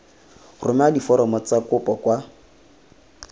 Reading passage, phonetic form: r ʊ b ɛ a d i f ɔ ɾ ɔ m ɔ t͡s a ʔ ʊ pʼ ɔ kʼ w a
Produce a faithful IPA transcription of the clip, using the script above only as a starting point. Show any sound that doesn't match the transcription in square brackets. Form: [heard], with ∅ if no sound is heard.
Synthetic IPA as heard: r ʊ [m] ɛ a d i f ɔ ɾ ɔ m ɔ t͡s a [k] ʊ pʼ ɔ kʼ w a